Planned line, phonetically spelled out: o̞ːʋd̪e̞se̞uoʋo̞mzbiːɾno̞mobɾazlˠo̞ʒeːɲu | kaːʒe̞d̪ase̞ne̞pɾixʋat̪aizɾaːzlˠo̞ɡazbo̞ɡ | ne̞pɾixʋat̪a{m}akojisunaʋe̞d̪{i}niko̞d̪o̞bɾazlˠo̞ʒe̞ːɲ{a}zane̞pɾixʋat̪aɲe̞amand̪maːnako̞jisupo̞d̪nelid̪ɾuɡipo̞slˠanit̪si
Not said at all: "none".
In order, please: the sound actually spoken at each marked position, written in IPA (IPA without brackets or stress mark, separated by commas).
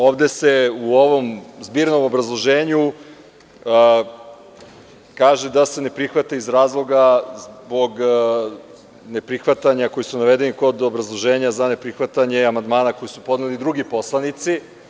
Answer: ɲ, e, a